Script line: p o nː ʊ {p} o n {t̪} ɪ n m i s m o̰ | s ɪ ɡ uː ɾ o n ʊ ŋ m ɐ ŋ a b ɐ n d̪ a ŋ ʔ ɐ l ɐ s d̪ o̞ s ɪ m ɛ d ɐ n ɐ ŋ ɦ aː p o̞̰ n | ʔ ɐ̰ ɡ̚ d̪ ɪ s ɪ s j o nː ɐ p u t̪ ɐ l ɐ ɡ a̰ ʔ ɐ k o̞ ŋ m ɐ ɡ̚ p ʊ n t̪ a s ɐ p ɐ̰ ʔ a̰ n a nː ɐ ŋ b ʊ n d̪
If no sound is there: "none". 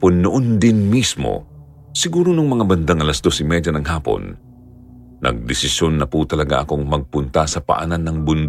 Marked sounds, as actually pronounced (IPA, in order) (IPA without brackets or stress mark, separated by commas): ʔ, d̪